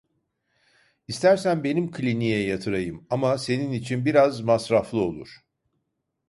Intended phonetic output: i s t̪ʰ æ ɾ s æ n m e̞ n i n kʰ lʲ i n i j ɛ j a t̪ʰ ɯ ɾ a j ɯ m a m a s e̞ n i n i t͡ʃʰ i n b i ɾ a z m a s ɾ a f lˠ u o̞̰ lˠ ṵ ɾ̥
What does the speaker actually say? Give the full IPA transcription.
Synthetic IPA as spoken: i s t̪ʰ æ ɾ s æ n b e̞ n i m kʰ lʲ i n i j ɛ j a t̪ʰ ɯ ɾ a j ɯ m a m a s e̞ n i n i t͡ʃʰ i n b i ɾ a z m a s ɾ a f lˠ ɯ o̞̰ lˠ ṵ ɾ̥